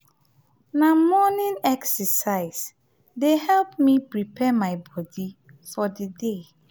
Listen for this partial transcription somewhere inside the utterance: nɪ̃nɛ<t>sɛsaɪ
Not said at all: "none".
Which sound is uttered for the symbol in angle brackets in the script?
k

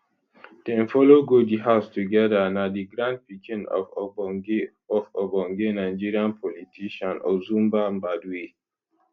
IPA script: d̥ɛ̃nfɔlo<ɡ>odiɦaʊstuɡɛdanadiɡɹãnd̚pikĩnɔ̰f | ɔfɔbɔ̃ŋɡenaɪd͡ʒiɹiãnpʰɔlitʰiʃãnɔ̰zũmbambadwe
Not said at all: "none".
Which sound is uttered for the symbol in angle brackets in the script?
ɡ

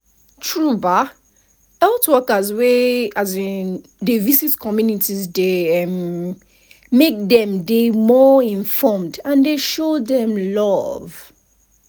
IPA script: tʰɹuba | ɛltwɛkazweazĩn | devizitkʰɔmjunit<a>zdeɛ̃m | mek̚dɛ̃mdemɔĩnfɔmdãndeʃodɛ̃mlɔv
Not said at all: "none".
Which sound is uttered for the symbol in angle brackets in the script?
i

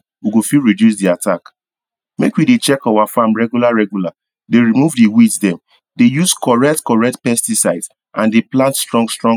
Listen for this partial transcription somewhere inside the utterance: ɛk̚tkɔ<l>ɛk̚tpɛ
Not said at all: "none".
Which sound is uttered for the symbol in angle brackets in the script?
ɹ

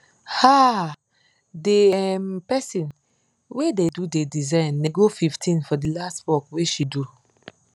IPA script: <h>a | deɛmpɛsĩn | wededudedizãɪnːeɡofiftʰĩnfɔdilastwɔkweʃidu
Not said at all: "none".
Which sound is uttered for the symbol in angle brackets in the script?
h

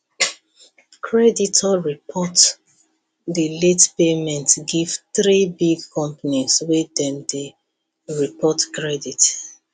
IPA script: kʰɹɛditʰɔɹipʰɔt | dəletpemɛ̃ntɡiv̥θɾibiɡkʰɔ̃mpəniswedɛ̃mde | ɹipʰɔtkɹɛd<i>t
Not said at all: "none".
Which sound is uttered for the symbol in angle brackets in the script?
i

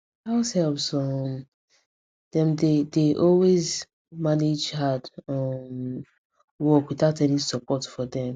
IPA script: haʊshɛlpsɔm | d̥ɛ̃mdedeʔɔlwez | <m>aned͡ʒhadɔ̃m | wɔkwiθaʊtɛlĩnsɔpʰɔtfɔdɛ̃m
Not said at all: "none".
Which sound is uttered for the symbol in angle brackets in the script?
m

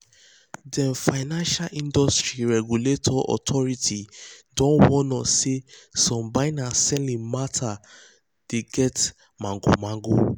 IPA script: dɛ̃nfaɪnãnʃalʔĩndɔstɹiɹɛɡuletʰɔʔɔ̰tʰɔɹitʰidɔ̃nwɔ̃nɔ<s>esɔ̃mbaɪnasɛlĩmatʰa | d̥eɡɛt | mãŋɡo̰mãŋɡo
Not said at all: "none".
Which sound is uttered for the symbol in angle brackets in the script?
s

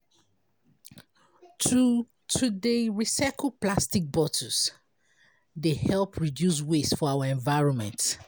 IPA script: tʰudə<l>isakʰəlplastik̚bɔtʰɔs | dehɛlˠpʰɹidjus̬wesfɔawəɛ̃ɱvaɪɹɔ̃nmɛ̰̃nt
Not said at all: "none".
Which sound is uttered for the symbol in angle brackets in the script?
ɹ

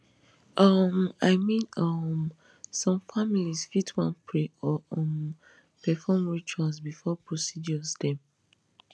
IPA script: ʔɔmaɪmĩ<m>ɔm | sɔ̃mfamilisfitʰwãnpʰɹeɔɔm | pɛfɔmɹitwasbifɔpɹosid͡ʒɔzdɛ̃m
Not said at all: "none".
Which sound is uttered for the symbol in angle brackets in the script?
n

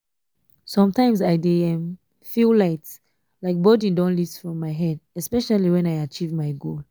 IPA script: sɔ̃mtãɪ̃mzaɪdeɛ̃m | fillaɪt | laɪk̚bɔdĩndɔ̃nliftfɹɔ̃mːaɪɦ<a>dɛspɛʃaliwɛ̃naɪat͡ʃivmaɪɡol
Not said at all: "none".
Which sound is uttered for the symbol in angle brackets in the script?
ɛ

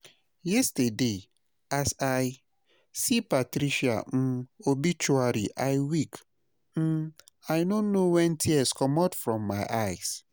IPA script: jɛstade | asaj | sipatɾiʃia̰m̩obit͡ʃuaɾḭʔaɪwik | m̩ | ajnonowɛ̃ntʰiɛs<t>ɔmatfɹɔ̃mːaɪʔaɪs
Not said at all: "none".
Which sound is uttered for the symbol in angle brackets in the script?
k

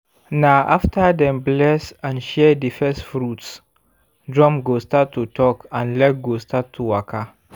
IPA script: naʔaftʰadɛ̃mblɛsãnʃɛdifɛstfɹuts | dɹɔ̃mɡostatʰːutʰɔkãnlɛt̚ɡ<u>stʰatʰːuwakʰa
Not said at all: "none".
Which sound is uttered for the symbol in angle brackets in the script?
o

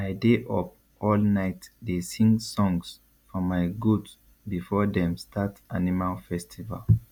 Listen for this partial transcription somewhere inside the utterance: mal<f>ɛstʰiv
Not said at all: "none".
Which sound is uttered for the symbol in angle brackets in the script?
f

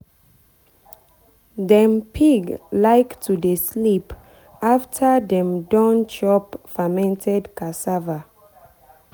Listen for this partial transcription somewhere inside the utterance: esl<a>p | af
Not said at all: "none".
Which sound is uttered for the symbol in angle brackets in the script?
i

